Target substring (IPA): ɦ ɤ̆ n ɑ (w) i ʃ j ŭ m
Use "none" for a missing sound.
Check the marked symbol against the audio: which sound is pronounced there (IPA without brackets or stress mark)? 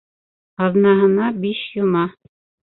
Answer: b